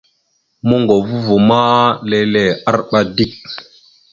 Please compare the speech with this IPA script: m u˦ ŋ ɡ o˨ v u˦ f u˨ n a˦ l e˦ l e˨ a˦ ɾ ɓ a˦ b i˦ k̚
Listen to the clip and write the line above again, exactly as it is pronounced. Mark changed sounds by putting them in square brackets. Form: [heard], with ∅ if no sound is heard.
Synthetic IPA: m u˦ ŋ ɡ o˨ v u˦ [v] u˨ [m] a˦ l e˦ l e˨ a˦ ɾ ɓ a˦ [d] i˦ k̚